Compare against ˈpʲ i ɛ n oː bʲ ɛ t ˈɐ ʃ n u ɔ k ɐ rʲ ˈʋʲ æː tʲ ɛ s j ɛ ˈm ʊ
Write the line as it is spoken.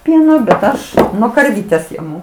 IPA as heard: ˈpʲ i ɛ n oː bʲ ɛ t ˈɐ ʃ n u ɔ k ɐ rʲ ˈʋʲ iː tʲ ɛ s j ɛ ˈm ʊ